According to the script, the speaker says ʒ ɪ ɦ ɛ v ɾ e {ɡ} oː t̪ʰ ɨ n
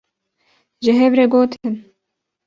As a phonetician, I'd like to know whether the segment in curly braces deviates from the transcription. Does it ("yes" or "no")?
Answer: no